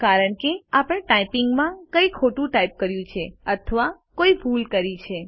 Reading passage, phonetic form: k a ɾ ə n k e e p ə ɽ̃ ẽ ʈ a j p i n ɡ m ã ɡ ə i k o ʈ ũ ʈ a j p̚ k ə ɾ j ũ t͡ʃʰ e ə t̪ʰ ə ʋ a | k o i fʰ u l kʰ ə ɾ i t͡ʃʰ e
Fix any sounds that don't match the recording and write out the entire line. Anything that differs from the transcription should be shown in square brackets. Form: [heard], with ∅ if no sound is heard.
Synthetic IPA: k a ɾ ə [ɳ] k e [a] p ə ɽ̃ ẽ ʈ a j p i [ŋ] ɡ m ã [k] ə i [kʰ] o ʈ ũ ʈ a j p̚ k ə ɾ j ũ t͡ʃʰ e ə t̪ʰ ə ʋ a | k o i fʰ u l [k] ə ɾ i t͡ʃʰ e